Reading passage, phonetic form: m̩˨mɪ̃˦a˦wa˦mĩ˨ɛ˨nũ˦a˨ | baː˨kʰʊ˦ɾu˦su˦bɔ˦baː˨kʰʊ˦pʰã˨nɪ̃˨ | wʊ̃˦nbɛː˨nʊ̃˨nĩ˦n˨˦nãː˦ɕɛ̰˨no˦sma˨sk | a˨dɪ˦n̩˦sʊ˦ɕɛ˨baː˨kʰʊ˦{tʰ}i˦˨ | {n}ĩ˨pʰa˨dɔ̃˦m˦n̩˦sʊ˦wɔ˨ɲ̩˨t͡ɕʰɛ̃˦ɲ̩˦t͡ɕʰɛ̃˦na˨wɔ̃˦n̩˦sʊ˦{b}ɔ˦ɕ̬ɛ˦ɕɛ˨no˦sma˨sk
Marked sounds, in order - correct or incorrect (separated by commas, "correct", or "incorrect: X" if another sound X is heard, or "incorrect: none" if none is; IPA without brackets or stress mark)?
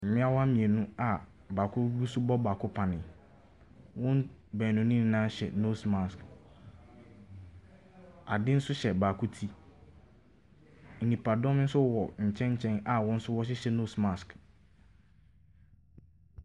correct, correct, incorrect: w